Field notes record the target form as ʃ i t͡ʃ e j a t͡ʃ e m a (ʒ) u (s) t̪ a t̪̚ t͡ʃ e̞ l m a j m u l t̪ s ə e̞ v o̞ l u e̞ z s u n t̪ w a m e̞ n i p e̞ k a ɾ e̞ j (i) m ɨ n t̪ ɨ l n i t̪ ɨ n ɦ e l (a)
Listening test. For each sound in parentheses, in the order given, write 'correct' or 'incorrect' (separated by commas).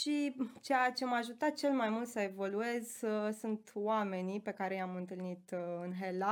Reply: correct, incorrect, incorrect, correct